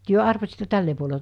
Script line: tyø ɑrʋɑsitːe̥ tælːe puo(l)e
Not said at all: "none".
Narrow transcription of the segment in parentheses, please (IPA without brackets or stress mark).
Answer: l